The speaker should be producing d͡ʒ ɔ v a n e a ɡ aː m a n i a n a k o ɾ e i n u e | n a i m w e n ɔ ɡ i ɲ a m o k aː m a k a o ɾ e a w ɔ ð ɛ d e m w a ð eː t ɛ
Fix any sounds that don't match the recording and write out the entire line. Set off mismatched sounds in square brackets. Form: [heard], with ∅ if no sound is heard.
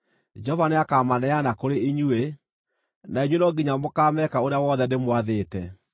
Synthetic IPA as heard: d͡ʒ ɔ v a n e a [k] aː m a n [ɛ] a n a k o ɾ e i [ɲ] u e | n a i [ɲ] w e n ɔ ɡ i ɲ a m o k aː m [ɛ] k a o ɾ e a w ɔ ð ɛ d e m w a ð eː t ɛ